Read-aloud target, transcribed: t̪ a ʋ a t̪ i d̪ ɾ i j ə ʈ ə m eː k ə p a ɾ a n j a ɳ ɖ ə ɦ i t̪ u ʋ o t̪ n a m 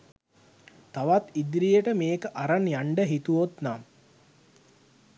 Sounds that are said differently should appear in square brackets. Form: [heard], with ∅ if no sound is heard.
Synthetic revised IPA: t̪ a ʋ a t̪ i d̪ ɾ i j ə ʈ ə m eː k ə [ʔ] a ɾ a n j a ɳ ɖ ə ɦ i t̪ u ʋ o t̪ n a m